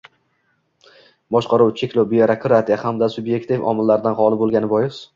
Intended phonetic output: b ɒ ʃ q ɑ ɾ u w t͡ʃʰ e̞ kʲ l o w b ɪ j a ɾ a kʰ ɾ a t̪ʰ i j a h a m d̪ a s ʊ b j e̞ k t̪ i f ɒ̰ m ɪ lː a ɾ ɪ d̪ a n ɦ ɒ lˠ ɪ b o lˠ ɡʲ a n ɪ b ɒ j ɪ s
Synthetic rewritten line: b ɒ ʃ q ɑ ɾ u w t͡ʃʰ e̞ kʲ l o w b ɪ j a ɾ a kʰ ɾ a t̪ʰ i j a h a m d̪ a s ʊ b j e̞ k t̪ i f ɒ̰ m ɪ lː a ɾ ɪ d̪ a n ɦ ɒ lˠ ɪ b o lˠ ɡʲ a n ɪ b ɒ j ɪ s